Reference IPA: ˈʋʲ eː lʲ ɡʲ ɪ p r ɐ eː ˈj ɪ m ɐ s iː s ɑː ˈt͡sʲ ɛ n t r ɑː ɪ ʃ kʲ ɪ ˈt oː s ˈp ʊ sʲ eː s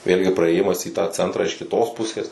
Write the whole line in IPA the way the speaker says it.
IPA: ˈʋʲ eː lʲ ɡʲ ɪ p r ɐ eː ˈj ɪ m ɐ s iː t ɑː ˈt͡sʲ ɛ n t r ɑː ɪ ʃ kʲ ɪ ˈt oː s ˈp ʊ sʲ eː s